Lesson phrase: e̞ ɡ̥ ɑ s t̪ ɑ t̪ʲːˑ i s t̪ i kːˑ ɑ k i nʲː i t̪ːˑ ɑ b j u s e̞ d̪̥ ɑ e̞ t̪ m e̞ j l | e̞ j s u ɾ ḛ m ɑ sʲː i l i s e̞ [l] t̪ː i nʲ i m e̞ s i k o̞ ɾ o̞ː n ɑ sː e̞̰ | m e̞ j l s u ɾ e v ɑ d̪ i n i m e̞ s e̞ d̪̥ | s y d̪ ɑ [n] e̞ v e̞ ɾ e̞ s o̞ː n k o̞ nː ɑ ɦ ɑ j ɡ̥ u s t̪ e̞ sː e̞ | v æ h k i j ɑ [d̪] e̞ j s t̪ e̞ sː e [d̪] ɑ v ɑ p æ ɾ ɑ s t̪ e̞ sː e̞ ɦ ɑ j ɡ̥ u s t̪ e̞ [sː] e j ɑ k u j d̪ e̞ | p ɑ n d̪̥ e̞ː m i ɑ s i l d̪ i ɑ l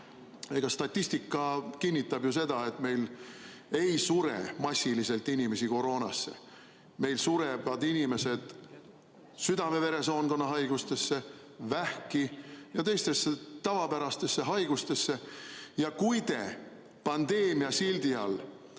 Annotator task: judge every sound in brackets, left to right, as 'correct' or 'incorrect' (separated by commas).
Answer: correct, incorrect, incorrect, incorrect, correct